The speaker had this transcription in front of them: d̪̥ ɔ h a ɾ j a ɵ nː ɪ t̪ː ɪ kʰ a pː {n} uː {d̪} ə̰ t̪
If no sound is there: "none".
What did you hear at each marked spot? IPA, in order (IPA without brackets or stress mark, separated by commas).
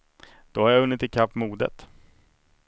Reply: m, d̪